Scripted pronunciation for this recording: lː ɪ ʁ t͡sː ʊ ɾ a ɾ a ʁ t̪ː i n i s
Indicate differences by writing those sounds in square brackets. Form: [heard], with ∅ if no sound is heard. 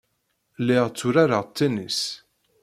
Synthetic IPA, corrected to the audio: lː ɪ ʁ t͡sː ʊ ɾ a ɾ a ʁ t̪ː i n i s